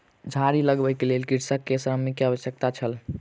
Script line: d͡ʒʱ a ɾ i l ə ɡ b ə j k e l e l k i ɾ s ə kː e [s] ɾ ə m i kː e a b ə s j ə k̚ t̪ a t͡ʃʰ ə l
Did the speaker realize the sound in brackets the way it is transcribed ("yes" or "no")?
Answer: yes